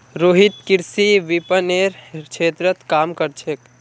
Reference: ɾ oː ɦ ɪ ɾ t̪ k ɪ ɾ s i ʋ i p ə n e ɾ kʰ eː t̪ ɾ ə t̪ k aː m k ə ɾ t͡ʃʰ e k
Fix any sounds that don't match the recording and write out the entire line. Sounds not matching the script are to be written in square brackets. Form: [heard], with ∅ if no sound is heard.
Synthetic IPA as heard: ɾ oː ɦ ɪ [∅] t̪ k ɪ ɾ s i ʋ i p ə n e ɾ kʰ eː t̪ ɾ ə t̪ k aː m k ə ɾ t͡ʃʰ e k